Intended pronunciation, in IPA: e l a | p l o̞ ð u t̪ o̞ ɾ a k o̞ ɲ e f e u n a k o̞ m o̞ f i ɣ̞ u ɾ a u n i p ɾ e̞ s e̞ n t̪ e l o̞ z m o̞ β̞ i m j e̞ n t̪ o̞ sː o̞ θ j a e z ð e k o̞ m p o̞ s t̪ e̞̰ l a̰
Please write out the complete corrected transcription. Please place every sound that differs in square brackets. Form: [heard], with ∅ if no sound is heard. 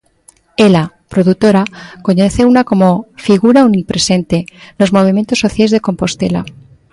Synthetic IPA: e l a | p [ɾ] o̞ ð u t̪ o̞ ɾ a k o̞ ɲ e [θ] e u n a k o̞ m o̞ f i ɣ̞ u ɾ a u n i p ɾ e̞ s e̞ n t̪ e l o̞ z m o̞ β̞ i m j e̞ n t̪ o̞ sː o̞ θ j a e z ð e k o̞ m p o̞ s t̪ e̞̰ l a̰